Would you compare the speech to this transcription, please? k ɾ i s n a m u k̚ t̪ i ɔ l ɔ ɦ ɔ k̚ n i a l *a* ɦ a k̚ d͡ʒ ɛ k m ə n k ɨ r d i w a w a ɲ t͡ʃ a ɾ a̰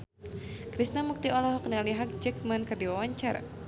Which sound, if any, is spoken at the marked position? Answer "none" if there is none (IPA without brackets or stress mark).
i